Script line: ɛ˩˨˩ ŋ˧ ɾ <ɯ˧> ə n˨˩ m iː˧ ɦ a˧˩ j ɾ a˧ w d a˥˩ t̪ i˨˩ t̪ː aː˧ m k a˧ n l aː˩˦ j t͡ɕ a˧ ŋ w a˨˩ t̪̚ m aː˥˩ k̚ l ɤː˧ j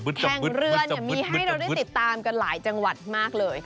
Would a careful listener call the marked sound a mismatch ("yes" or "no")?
no